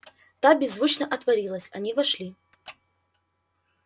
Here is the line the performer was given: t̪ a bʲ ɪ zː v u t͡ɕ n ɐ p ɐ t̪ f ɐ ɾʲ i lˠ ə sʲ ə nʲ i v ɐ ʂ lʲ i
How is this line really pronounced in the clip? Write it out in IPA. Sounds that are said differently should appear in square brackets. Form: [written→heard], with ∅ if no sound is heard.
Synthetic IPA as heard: t̪ a bʲ ɪ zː v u t͡ɕ n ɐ [p→ʔ] ɐ t̪ [f→v] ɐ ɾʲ i lˠ ə sʲ [ə→ɐ] nʲ i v ɐ ʂ lʲ i

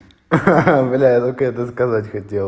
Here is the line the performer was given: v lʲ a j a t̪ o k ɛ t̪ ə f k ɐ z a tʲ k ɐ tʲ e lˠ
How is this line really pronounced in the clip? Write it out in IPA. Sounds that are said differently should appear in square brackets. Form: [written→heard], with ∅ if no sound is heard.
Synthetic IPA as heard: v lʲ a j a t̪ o k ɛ t̪ ə [f→s] k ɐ z a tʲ [k→x] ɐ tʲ e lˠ

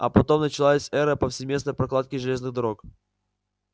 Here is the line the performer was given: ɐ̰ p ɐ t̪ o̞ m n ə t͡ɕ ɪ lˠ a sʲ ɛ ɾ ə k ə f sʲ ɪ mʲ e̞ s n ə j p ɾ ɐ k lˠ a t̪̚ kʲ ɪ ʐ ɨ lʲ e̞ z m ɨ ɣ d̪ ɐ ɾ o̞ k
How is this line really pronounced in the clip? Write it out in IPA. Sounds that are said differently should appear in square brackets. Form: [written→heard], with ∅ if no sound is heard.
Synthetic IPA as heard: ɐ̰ p ɐ t̪ o̞ m n ə t͡ɕ ɪ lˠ a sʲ ɛ ɾ ə [k→p] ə f sʲ ɪ mʲ e̞ s n ə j p ɾ ɐ k lˠ a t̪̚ kʲ ɪ ʐ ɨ lʲ e̞ z [m→n] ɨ ɣ d̪ ɐ ɾ o̞ k

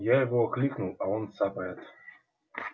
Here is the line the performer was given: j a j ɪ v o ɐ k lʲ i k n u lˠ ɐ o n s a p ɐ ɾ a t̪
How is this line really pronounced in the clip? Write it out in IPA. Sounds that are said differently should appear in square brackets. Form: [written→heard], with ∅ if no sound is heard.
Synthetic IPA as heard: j a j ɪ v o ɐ k lʲ i k n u lˠ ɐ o n s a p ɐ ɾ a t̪

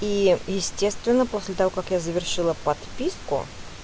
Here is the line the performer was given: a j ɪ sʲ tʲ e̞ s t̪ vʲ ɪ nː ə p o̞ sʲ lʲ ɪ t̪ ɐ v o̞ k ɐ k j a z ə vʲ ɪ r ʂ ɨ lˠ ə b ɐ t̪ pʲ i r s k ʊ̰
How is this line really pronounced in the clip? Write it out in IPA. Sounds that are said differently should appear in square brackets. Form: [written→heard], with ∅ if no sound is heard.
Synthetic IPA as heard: [a→i] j ɪ sʲ tʲ e̞ s t̪ vʲ ɪ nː ə p o̞ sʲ lʲ ɪ t̪ ɐ v o̞ k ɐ k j a z ə vʲ ɪ r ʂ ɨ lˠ ə [b→p] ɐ t̪ pʲ i [r→∅] s k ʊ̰

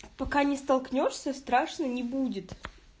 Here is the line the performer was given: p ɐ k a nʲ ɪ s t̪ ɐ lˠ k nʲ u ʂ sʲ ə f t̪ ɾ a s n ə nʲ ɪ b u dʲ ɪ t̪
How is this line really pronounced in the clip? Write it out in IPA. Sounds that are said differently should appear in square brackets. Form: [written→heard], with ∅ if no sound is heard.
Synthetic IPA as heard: p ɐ k a nʲ ɪ s t̪ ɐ lˠ k nʲ [u→o] ʂ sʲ ə [f→s] t̪ ɾ a [s→ʂ] n ə nʲ ɪ b u dʲ ɪ t̪

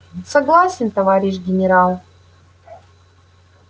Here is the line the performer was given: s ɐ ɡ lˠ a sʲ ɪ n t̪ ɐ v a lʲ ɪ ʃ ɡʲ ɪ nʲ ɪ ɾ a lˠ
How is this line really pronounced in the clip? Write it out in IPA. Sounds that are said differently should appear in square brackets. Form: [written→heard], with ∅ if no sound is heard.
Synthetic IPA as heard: s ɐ ɡ lˠ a sʲ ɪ n t̪ ɐ v a [lʲ→ɾʲ] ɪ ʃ ɡʲ ɪ nʲ ɪ ɾ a lˠ

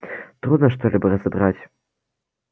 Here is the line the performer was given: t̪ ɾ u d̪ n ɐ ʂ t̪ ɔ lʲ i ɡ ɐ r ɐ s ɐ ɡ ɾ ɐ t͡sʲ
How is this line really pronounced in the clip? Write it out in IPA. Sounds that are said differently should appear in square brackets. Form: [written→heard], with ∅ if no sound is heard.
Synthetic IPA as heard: t̪ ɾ u d̪ n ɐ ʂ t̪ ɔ lʲ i [ɡ→b] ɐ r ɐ [s→z] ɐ [ɡ→b] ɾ [ɐ→a] t͡sʲ

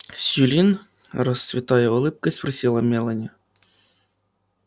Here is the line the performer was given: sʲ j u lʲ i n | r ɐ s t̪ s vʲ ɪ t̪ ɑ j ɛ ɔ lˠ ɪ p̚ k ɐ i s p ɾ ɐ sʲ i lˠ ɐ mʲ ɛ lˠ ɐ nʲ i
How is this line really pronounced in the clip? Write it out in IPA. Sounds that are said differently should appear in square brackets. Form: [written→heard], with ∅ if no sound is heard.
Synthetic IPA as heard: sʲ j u lʲ i n | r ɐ s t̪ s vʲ ɪ t̪ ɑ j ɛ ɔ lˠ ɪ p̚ k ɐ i s p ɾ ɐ sʲ i lˠ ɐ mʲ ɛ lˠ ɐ nʲ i

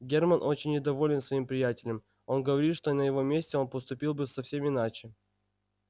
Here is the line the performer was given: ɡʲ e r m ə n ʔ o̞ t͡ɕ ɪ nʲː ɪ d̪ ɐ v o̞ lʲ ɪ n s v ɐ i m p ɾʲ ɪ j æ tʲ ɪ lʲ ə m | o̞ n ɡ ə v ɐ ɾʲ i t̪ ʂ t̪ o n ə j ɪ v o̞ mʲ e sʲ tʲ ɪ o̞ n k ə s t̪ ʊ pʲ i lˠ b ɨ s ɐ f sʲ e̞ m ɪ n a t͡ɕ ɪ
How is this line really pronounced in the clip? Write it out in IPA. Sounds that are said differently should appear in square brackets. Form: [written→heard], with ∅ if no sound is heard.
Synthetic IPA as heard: ɡʲ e r m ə n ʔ o̞ t͡ɕ ɪ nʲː ɪ d̪ ɐ v o̞ lʲ ɪ n s v ɐ i m p ɾʲ ɪ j æ tʲ ɪ lʲ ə m | o̞ n ɡ ə v ɐ ɾʲ i t̪ ʂ t̪ o n ə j ɪ v o̞ mʲ e sʲ tʲ ɪ o̞ n [k→p] ə s t̪ ʊ pʲ i lˠ b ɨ s ɐ f sʲ e̞ m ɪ n a t͡ɕ ɪ

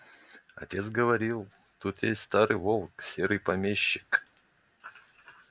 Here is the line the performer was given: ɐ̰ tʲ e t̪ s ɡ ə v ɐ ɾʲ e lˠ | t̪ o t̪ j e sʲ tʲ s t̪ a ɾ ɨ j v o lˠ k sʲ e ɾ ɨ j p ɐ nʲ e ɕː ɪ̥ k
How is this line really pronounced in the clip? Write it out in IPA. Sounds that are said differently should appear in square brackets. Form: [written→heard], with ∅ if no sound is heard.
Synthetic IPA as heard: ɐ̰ tʲ e t̪ s ɡ ə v ɐ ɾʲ [e→i] lˠ | t̪ [o→u] t̪ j e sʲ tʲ s t̪ a ɾ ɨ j v o lˠ k sʲ e ɾ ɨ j p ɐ [nʲ→mʲ] e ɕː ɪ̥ k

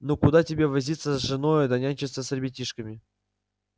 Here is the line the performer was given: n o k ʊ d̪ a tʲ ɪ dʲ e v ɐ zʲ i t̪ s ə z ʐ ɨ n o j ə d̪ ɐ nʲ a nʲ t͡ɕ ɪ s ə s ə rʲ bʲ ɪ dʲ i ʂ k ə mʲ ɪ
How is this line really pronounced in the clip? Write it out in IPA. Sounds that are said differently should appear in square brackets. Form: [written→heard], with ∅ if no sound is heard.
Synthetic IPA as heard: n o k ʊ d̪ a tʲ ɪ [dʲ→bʲ] e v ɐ zʲ i t̪ s ə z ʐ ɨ n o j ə d̪ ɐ nʲ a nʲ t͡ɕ ɪ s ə s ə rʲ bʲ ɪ [dʲ→tʲ] i ʂ k ə mʲ ɪ

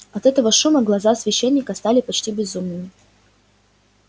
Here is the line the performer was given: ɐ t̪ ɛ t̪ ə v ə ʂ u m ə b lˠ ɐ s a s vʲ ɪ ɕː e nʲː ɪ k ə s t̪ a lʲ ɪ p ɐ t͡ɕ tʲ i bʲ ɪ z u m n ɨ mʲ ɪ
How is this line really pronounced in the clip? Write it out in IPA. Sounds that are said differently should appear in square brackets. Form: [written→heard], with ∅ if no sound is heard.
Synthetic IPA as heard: ɐ t̪ ɛ t̪ ə v ə ʂ u m ə [b→ɡ] lˠ ɐ [s→z] a s vʲ ɪ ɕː e nʲː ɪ k ə s t̪ a lʲ ɪ p ɐ t͡ɕ tʲ i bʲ ɪ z u m n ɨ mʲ ɪ

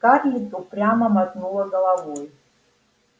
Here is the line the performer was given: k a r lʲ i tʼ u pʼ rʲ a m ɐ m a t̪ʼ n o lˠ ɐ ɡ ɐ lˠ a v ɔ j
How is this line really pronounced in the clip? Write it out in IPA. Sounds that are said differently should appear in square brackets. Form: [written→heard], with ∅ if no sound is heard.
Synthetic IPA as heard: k a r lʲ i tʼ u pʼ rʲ a m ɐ m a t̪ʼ n [o→u] lˠ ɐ ɡ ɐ lˠ a v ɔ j

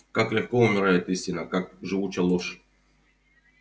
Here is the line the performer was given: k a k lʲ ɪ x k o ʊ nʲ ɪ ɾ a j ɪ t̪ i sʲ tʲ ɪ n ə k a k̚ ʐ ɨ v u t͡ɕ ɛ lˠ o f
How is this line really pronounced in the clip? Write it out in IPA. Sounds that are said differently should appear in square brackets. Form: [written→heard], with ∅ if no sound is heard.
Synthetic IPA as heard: k a k lʲ ɪ x k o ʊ [nʲ→mʲ] ɪ ɾ a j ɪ t̪ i sʲ tʲ ɪ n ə k a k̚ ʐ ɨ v u t͡ɕ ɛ lˠ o [f→ʂ]

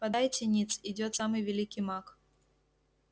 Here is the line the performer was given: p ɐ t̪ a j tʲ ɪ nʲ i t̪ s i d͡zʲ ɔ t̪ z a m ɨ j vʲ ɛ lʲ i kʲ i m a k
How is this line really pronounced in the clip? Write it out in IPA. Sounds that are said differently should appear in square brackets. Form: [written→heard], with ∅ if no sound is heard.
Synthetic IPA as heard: p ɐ [t̪→d̪] a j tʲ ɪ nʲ i t̪ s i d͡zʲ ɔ t̪ [z→s] a m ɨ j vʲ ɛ lʲ i kʲ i m a k

